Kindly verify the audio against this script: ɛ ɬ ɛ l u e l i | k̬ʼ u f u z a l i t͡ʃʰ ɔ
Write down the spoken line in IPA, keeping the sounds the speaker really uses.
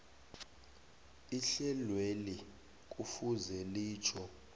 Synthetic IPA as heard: i ɬ ɛ l w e l i | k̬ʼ u f u z ɛ l iː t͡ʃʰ ɔ